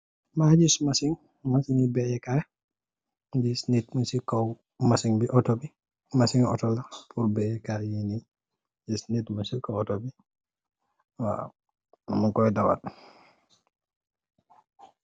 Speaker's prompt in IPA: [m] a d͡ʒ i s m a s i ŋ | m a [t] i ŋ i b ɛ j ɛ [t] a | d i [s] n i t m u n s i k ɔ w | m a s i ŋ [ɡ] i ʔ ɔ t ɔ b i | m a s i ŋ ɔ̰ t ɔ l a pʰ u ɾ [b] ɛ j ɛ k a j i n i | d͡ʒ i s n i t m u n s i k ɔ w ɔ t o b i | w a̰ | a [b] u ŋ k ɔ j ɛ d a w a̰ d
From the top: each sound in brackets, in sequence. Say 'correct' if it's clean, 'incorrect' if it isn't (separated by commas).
correct, incorrect, incorrect, correct, incorrect, correct, incorrect